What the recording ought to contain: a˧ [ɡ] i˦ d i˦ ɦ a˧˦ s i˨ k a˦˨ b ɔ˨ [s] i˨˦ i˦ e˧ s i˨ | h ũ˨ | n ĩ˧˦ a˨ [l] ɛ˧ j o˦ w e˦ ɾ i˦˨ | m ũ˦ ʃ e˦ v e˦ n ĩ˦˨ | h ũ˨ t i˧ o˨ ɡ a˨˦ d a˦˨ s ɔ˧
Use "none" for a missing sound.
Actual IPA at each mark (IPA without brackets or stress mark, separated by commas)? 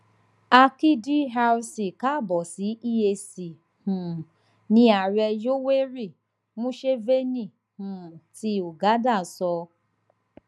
k, s, ɾ